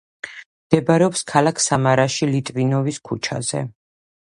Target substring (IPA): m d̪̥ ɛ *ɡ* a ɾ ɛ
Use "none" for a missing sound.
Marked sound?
b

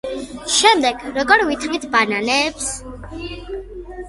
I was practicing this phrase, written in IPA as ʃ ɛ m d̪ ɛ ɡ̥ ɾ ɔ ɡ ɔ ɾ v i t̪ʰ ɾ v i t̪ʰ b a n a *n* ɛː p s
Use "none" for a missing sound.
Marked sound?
n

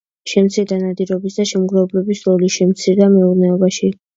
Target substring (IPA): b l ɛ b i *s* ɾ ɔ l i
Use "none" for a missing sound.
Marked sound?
s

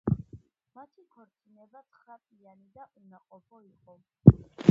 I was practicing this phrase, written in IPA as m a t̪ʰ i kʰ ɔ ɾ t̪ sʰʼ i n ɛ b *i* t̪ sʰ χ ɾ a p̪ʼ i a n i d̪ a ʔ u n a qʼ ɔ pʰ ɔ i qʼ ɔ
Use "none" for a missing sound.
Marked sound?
a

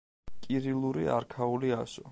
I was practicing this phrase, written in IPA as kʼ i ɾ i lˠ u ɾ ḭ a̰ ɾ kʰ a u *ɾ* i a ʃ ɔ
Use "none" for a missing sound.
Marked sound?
l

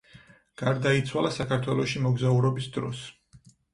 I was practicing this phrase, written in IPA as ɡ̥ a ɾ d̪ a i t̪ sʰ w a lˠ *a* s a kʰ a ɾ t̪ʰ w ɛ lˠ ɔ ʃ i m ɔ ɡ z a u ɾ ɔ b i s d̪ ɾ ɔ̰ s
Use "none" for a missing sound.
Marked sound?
a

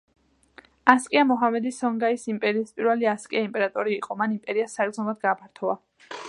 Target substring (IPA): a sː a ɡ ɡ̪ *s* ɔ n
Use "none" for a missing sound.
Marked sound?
z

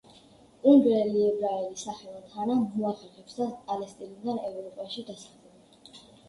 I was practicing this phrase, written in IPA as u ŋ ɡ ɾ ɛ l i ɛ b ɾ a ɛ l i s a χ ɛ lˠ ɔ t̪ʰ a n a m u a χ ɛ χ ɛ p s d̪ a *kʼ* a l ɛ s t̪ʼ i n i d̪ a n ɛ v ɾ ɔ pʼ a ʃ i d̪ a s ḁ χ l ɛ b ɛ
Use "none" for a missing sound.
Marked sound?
pʼ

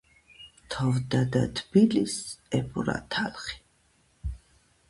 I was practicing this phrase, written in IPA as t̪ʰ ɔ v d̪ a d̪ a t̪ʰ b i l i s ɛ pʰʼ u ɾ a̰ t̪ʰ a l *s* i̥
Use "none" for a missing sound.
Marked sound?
χ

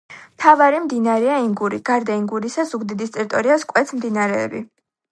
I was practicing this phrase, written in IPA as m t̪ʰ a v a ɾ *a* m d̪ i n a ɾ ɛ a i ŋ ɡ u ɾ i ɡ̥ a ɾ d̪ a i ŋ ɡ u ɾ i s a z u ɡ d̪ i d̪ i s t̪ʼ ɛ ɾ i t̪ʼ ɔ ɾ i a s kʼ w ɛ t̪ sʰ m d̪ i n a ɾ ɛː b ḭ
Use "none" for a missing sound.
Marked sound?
i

